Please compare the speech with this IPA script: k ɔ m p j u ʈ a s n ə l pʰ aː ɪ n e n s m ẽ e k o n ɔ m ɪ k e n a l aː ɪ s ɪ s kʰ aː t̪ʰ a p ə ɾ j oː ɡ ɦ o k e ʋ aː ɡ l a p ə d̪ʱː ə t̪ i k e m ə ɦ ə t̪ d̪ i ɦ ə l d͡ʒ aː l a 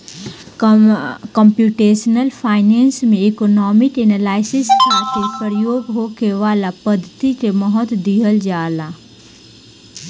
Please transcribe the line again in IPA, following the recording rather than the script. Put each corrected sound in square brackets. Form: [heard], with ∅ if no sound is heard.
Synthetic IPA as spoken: k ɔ m p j u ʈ [e] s n ə l pʰ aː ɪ n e n s m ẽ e k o n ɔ m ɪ k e n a l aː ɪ s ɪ s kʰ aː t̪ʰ [e] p ə ɾ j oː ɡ ɦ o k e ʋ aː [∅] l a p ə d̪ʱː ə t̪ i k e m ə ɦ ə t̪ d̪ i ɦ ə l d͡ʒ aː l a